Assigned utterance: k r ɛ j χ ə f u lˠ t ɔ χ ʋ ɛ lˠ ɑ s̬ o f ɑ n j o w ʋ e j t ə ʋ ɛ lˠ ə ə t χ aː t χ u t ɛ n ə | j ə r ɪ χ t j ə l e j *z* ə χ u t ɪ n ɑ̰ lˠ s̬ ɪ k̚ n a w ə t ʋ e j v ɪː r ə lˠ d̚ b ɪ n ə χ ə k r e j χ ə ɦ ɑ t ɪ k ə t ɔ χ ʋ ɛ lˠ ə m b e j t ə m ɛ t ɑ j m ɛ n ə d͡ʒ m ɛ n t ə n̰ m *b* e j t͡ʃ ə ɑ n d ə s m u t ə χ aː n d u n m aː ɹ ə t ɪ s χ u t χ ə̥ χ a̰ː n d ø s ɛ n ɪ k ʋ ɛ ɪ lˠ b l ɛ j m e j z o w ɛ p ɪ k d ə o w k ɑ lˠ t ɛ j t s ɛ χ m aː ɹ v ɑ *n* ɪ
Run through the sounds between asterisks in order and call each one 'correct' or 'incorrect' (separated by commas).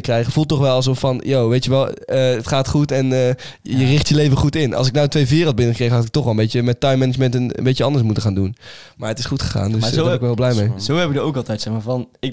incorrect, correct, correct